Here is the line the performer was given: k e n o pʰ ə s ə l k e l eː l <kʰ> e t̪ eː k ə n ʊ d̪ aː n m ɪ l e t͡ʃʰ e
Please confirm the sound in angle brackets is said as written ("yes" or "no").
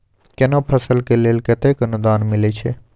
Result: no